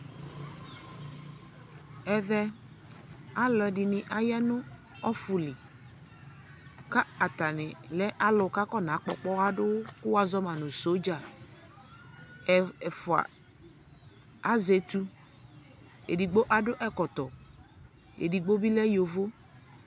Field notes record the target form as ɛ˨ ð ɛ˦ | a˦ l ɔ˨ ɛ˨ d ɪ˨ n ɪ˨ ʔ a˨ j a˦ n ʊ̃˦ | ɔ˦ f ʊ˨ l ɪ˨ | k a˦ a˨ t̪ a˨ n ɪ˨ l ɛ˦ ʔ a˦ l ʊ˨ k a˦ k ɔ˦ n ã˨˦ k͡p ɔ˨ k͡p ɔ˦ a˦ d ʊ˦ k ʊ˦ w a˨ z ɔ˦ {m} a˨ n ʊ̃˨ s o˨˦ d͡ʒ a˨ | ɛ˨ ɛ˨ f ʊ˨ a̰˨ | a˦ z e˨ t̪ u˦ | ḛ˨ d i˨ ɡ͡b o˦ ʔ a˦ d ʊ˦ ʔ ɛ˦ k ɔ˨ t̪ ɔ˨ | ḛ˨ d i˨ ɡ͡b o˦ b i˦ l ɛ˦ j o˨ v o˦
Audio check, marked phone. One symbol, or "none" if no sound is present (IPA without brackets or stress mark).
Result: m